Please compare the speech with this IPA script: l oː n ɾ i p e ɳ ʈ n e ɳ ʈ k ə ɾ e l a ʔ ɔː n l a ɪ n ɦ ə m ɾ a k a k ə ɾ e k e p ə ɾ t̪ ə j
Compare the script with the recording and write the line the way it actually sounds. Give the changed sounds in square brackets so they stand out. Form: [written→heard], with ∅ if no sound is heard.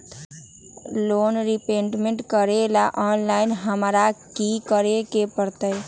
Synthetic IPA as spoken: l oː n ɾ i p e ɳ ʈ [n→m] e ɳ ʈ k ə ɾ e l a ʔ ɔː n l a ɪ n ɦ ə m ɾ a k [a→i] k ə ɾ e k e p ə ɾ t̪ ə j